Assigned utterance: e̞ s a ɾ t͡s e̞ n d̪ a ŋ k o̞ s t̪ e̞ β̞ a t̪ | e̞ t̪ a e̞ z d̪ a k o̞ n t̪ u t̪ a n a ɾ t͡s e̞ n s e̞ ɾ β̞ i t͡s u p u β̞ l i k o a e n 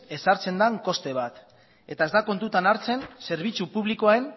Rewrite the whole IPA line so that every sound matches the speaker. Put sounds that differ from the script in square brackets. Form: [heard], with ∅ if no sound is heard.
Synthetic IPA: e̞ s a ɾ t͡s e̞ n d̪ a ŋ k o̞ s t̪ e̞ β̞ a t̪ | e̞ t̪ a e̞ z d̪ a k o̞ n t̪ u t̪ a n a ɾ t͡s e̞ n s e̞ ɾ β̞ i t͡s u p u β̞ l i k o a e n

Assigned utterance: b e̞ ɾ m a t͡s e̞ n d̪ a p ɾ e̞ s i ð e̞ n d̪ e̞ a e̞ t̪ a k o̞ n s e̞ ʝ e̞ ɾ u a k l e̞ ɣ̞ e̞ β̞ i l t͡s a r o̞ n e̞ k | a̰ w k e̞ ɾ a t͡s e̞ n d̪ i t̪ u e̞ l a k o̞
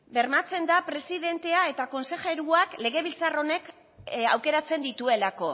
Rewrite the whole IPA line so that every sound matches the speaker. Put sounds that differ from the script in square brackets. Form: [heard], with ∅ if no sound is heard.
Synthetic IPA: b e̞ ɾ m a t͡s e̞ n d̪ a p ɾ e̞ s i ð e̞ n [t̪] e̞ a e̞ t̪ a k o̞ n s e̞ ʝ e̞ ɾ u a k l e̞ ɣ̞ e̞ β̞ i l t͡s a r o̞ n e̞ k | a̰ w k e̞ ɾ a t͡s e̞ n d̪ i t̪ u e̞ l a k o̞

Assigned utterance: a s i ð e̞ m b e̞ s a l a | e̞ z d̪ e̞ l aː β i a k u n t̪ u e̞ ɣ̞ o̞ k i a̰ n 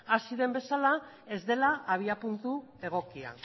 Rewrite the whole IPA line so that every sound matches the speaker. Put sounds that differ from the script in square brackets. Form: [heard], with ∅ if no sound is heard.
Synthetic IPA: a s i ð e̞ m b e̞ s a l a | e̞ z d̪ e̞ l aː β i a [p] u n t̪ u e̞ ɣ̞ o̞ k i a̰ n

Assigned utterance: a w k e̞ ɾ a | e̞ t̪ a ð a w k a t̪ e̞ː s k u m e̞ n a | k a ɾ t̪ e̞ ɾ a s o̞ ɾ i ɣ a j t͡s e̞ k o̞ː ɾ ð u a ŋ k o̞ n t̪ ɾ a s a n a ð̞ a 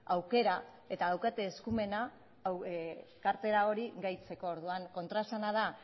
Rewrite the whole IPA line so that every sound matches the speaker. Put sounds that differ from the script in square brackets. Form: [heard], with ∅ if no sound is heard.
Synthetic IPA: a w k e̞ ɾ a | e̞ t̪ a ð a w k a t̪ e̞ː s k u m e̞ n a | k a ɾ t̪ e̞ ɾ a [∅] o̞ ɾ i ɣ a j t͡s e̞ k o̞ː ɾ ð u a ŋ k o̞ n t̪ ɾ a s a n a ð̞ a

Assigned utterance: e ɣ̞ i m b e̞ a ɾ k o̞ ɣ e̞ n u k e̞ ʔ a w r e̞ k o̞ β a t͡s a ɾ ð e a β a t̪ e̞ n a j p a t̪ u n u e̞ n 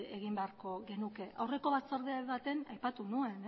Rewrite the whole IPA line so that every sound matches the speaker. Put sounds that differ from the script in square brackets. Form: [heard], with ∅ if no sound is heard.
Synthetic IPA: e ɣ̞ i m b e̞ a ɾ k o̞ ɣ e̞ n u k e̞ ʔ a w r e̞ k o̞ β a t͡s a ɾ ð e a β a t̪ e̞ n a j p a t̪ u n u e̞ n

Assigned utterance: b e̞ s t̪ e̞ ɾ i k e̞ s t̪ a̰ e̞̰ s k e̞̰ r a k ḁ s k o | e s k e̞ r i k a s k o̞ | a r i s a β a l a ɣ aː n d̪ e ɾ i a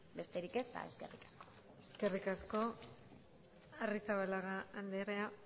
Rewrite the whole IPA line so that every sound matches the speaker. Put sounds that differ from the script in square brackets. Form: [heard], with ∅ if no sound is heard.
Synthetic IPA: b e̞ s t̪ e̞ ɾ i k e̞ s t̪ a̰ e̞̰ s k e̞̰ r [i] k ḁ s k o | e s k e̞ r i k a s k o̞ | a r i s a β a l a ɣ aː n d̪ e ɾ [e] a

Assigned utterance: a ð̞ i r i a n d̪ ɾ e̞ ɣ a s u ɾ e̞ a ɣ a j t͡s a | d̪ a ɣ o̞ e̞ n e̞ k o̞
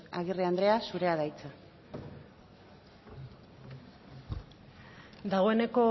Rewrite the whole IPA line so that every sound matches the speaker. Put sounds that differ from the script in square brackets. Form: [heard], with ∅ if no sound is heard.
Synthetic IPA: a [ɣ̞] i r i a n d̪ ɾ e̞ [∅] a s u ɾ e̞ a [ð] a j t͡s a | d̪ a ɣ o̞ e̞ n e̞ k o̞

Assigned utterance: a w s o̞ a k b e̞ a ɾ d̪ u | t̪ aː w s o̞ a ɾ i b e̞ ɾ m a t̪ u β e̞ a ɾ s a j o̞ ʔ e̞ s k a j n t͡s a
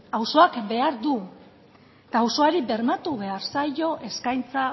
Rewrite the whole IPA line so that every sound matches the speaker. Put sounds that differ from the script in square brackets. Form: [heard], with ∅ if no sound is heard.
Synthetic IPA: a w s o̞ a k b e̞ a ɾ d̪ u | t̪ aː w s o̞ a ɾ i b e̞ ɾ m a t̪ u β e̞ a ɾ s a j o̞ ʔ e̞ s k a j n t͡s a

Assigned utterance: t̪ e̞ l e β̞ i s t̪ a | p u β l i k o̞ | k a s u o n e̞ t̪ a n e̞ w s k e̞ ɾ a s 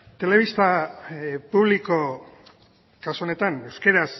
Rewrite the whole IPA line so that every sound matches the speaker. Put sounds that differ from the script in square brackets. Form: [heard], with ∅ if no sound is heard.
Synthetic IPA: t̪ e̞ l e β̞ i s t̪ a | p u β l i k o̞ | k a s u o n e̞ t̪ a n e̞ w s k e̞ ɾ a s

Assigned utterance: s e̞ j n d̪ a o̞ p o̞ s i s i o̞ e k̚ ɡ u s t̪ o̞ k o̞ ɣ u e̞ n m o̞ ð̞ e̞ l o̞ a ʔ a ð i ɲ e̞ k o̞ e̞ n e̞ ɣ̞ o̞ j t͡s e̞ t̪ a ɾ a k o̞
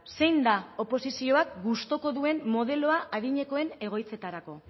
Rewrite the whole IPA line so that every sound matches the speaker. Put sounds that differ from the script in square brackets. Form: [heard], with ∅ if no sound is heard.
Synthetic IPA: s e̞ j n d̪ a o̞ p o̞ s i s i o̞ [a] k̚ ɡ u s t̪ o̞ k o̞ [ð] u e̞ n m o̞ ð̞ e̞ l o̞ a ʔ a ð i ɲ e̞ k o̞ e̞ n e̞ ɣ̞ o̞ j t͡s e̞ t̪ a ɾ a k o̞

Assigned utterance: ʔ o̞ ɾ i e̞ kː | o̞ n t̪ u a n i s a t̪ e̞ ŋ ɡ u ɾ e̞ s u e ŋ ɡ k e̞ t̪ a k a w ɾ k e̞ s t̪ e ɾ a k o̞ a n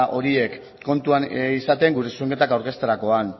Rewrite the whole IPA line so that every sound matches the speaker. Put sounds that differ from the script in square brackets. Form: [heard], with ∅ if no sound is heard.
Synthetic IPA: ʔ o̞ ɾ i e̞ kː | o̞ n t̪ u a n i s a t̪ e̞ ŋ ɡ u ɾ e̞ s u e ŋ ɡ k e̞ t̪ a k a w ɾ k e̞ s t̪ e ɾ a k o̞ a n

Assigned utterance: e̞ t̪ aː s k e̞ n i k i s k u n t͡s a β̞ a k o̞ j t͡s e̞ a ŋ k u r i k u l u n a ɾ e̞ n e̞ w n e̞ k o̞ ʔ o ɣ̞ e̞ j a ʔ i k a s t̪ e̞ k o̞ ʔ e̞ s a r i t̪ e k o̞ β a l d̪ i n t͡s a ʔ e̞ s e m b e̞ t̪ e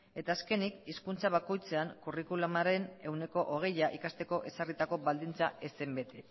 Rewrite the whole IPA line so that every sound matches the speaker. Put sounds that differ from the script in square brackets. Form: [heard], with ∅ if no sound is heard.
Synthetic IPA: e̞ t̪ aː s k e̞ n i k i s k u n t͡s a β̞ a k o̞ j t͡s e̞ a ŋ k u r i k u l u [m] a ɾ e̞ n e̞ w n e̞ k o̞ ʔ o ɣ̞ e̞ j a ʔ i k a s t̪ e̞ k o̞ ʔ e̞ s a r i t̪ [a] k o̞ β a l d̪ i n t͡s a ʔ e̞ s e m b e̞ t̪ e

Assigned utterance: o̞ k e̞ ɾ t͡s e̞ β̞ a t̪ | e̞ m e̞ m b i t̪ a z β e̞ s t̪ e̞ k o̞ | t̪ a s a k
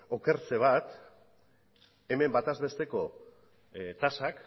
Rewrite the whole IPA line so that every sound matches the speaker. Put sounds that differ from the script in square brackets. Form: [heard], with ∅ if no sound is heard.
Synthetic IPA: o̞ k e̞ ɾ t͡s e̞ β̞ a t̪ | e̞ m e̞ m b [a] t̪ a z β e̞ s t̪ e̞ k o̞ | t̪ a s a k

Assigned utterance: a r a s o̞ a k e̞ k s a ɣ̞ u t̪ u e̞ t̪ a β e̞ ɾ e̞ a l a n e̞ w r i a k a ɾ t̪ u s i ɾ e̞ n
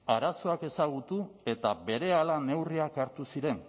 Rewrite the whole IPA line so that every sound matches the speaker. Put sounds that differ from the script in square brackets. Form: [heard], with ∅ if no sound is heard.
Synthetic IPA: a [ɾ] a s o̞ a k e̞ [∅] s a ɣ̞ u t̪ u e̞ t̪ a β e̞ ɾ e̞ a l a n e̞ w r i a k a ɾ t̪ u s i ɾ e̞ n

